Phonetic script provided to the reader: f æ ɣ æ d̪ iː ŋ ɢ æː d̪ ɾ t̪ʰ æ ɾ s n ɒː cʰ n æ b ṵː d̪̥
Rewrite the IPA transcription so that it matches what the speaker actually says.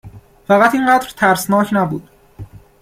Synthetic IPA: f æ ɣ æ t̪ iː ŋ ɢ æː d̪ ɾ t̪ʰ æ ɾ s n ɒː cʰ n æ b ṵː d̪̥